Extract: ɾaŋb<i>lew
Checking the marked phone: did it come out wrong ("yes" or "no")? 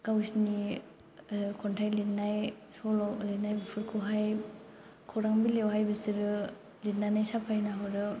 no